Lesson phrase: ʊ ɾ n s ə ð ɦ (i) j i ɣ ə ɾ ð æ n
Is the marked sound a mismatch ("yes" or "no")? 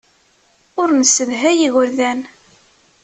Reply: yes